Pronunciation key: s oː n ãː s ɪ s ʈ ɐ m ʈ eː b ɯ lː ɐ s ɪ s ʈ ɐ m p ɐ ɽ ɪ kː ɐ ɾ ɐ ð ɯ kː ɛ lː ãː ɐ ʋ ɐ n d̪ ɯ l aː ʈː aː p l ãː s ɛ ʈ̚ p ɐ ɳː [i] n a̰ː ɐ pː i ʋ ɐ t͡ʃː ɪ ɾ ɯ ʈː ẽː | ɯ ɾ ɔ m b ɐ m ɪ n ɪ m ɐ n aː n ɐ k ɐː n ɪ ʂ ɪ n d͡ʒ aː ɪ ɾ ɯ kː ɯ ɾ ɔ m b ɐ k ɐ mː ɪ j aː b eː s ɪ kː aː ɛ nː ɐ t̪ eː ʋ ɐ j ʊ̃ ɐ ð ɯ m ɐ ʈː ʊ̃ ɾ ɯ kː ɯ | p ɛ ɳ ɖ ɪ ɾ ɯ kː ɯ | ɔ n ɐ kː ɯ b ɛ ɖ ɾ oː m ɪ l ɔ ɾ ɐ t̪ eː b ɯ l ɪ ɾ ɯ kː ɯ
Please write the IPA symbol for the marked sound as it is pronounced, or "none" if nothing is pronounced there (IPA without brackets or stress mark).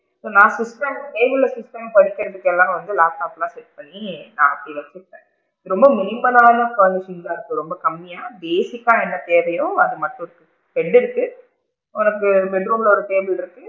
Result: i